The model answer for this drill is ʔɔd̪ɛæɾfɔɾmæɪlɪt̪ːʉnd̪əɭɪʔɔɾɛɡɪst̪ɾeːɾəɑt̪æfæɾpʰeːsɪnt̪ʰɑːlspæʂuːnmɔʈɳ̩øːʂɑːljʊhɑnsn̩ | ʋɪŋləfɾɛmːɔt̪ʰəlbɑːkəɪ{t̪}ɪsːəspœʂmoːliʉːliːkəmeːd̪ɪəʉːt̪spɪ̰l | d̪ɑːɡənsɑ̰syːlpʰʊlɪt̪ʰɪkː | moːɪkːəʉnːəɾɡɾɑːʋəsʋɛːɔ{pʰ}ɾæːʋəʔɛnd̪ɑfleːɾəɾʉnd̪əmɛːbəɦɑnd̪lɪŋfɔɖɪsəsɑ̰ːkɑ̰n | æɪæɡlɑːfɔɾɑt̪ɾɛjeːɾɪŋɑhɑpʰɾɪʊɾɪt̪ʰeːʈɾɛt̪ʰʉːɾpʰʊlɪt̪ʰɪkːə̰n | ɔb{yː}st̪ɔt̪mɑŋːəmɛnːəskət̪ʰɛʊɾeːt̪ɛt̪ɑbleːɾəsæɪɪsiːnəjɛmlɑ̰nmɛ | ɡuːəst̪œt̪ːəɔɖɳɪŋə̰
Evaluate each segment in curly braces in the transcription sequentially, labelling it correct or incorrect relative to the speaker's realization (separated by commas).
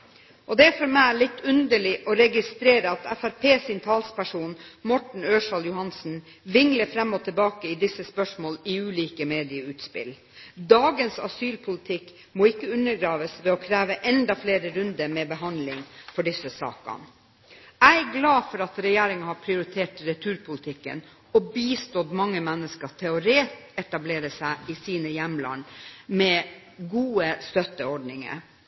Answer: incorrect, incorrect, incorrect